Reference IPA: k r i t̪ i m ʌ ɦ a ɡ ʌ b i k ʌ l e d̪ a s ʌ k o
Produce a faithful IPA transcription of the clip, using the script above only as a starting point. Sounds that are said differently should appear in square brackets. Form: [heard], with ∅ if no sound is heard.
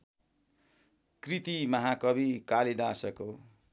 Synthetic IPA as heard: k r i t̪ i m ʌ ɦ a [k] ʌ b i k [a] l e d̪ a s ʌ k o

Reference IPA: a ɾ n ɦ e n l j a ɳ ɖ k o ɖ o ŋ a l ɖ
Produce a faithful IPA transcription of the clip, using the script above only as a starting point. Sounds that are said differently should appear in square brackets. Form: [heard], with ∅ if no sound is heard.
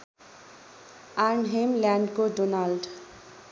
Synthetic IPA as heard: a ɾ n ɦ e [m] l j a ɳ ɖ k o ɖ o [n] a l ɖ

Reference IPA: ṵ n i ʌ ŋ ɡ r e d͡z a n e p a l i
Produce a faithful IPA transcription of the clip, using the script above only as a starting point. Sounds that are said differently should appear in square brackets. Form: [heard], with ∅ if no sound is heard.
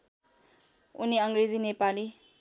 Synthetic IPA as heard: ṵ n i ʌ ŋ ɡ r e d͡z [i] n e p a l i

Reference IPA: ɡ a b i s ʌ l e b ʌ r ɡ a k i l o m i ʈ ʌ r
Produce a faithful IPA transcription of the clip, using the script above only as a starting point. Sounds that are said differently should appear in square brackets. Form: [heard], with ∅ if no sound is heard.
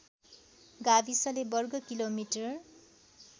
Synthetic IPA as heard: ɡ a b i s ʌ l e b ʌ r ɡ [ʌ] k i l o m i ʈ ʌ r

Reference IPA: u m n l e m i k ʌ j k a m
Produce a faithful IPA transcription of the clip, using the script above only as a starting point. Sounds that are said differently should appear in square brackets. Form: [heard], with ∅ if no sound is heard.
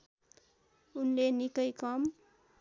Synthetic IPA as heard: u [∅] n l e [n] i k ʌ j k [ʌ] m

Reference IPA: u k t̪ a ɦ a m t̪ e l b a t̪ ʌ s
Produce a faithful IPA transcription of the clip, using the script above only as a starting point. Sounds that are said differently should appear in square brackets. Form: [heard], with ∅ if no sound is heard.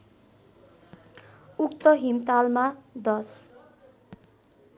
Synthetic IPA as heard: u k t̪ [ʌ] ɦ [i] m t̪ [a] l [m] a [d̪] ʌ s

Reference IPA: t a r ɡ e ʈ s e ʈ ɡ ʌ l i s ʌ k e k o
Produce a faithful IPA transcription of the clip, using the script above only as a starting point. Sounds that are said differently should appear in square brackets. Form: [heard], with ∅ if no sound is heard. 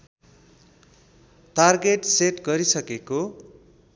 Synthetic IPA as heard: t a r ɡ e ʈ s e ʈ ɡ ʌ [ɾ] i s ʌ k e k o

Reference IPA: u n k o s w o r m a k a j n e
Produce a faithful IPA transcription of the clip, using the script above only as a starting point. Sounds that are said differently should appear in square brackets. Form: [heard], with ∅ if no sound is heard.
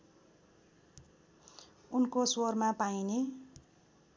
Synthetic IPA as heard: u n k o s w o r m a [p] a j n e

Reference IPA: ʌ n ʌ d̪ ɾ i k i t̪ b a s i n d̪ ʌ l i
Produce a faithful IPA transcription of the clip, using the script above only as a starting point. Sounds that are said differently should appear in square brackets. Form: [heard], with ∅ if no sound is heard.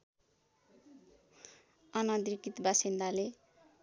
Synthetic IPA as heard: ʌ n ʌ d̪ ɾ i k i t̪ b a s i n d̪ [a] l [e]

